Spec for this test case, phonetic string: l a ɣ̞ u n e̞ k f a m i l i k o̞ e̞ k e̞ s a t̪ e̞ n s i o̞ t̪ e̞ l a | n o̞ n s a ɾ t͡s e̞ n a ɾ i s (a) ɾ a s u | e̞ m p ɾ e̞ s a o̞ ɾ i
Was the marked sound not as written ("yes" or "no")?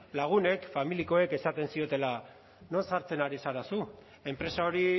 no